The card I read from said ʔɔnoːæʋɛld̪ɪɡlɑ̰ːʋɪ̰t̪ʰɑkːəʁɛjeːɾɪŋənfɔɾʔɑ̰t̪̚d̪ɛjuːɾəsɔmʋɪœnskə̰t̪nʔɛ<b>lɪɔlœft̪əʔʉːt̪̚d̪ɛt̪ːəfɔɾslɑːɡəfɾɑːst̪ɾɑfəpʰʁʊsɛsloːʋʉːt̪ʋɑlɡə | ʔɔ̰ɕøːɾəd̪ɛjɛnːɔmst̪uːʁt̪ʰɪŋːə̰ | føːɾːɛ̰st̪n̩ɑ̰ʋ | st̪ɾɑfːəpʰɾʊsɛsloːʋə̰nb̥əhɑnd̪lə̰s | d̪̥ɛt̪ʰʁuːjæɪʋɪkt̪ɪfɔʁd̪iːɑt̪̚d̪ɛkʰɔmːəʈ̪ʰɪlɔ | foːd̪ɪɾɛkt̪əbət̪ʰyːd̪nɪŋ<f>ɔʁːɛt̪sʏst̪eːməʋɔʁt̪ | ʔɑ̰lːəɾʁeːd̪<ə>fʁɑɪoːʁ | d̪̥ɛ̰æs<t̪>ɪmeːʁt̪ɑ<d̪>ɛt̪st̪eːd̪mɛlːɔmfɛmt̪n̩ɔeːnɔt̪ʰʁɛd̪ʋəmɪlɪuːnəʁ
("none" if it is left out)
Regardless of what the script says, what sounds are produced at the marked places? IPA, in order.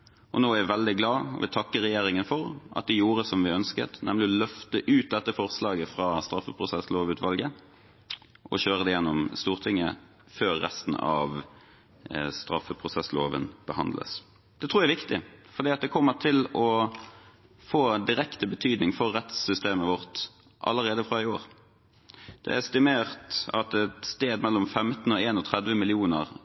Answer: m, f, ə, t̪, t̪

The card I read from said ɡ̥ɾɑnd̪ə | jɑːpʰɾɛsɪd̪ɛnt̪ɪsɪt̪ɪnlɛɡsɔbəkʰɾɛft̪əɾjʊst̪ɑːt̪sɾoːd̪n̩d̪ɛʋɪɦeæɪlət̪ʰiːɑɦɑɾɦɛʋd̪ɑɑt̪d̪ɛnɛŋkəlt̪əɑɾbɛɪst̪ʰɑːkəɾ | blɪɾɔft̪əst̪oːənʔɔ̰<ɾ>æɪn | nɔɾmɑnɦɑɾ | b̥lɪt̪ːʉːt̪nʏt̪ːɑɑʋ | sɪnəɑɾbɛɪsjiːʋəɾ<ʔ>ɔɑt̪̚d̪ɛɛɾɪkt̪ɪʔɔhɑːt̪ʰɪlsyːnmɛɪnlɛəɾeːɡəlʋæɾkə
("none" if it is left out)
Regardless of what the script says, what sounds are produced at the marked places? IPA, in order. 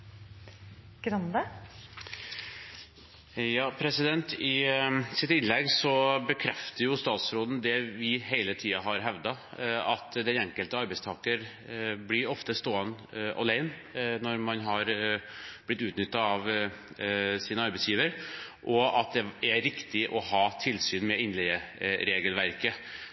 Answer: l, ʔ

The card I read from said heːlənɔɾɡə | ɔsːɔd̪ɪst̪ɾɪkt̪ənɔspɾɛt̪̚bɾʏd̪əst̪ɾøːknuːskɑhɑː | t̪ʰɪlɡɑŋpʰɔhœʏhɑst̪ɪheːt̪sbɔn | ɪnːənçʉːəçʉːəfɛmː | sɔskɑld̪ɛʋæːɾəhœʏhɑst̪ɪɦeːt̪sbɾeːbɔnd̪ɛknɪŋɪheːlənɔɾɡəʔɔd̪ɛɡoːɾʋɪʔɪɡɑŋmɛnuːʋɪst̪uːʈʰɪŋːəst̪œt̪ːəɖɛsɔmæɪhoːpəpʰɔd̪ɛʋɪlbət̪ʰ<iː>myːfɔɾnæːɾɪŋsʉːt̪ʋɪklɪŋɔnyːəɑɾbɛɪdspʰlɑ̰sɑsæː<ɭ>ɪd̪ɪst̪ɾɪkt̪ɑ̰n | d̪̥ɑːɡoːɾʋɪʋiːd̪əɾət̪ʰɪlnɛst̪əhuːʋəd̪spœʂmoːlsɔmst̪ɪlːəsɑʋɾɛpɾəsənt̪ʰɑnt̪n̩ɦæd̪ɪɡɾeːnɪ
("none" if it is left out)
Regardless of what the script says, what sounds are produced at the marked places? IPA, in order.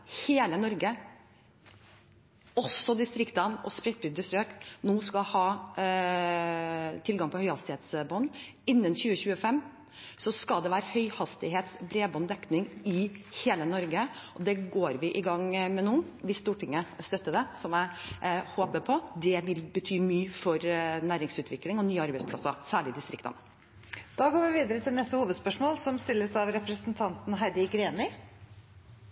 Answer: yː, ɭ

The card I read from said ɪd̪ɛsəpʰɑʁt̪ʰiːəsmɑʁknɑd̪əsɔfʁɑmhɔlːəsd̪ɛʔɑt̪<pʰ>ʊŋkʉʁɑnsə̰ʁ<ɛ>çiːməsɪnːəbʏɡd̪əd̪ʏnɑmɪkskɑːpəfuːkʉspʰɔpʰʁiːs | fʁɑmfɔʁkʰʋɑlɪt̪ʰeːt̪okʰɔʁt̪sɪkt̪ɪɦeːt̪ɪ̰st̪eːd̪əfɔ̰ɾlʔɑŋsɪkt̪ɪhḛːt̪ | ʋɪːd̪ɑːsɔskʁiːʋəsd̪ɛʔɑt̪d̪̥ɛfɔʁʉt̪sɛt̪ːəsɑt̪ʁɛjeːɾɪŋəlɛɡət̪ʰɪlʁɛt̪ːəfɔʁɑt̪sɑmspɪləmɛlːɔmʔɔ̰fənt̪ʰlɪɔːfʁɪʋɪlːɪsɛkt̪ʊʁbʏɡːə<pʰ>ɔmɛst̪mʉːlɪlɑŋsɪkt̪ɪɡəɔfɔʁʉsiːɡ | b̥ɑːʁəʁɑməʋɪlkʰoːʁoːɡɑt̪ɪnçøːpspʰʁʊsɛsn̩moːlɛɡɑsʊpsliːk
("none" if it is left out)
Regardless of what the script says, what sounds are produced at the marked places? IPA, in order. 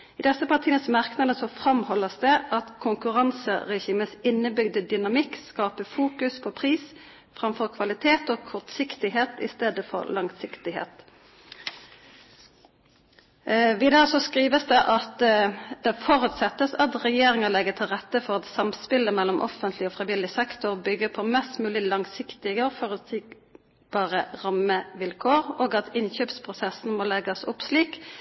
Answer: kʰ, ɛ, pʰ

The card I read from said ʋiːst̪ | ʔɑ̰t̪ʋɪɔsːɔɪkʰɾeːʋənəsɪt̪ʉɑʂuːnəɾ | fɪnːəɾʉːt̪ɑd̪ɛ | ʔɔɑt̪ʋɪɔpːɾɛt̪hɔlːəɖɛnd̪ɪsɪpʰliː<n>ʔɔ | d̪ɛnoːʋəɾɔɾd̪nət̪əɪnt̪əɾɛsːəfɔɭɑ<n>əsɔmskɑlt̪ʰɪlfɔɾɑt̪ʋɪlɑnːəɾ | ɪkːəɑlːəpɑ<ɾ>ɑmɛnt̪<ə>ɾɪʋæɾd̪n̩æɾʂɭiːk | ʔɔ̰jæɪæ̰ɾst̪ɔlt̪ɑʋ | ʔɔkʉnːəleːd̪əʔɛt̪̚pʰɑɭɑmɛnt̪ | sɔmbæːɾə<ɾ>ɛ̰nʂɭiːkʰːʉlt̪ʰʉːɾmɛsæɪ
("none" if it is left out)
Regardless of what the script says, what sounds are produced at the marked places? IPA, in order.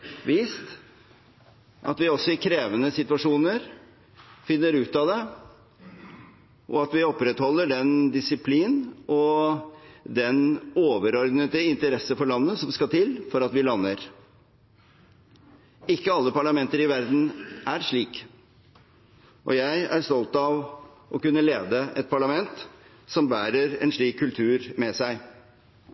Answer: n, nː, ɭ, ə, ɾ

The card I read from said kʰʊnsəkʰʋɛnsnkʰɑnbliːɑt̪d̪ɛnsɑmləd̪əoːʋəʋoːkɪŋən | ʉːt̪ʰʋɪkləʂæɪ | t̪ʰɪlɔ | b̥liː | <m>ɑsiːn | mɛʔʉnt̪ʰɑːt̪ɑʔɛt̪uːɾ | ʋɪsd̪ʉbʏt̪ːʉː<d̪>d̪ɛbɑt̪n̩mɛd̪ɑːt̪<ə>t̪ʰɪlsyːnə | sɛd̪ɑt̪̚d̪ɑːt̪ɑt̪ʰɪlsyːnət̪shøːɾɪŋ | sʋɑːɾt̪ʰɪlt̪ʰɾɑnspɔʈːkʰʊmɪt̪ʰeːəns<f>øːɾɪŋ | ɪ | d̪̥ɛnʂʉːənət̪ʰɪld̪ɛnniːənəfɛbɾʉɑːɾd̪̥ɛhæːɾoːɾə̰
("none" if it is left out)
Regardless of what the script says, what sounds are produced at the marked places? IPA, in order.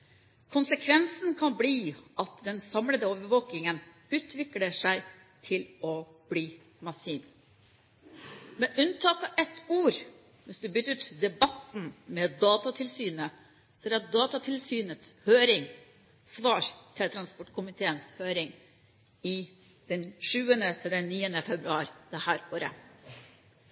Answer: m, t̪, ɑ, h

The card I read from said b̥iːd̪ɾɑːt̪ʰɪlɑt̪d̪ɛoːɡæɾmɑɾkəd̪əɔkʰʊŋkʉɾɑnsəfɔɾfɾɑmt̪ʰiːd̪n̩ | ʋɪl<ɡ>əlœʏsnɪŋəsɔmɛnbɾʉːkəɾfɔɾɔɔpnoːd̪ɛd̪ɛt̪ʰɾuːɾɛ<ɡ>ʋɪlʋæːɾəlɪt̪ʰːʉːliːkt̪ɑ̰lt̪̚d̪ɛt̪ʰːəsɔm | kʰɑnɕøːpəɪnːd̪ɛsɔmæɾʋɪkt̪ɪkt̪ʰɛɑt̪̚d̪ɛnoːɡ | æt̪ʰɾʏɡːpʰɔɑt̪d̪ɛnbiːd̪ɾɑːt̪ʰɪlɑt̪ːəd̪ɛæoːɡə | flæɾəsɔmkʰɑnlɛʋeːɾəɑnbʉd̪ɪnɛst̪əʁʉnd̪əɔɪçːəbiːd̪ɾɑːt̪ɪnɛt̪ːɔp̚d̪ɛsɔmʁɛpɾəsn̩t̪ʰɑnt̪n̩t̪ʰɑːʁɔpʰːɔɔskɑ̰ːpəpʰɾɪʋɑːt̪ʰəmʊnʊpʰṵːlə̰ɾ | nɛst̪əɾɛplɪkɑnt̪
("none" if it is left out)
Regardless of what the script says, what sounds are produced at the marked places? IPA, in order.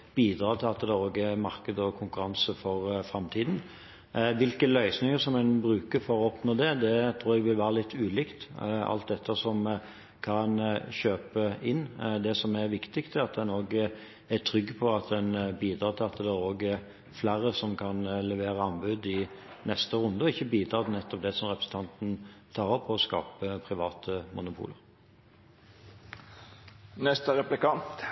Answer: k, ɡ

